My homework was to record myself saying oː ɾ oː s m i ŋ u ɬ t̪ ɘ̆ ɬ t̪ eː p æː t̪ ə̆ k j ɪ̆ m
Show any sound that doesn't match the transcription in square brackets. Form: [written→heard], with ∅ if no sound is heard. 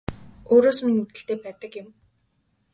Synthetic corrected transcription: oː ɾ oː s m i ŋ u [ɬ→∅] t̪ ɘ̆ ɬ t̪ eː p æː t̪ ə̆ k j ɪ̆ m